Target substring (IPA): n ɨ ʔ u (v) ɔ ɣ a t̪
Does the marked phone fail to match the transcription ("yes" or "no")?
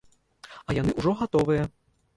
yes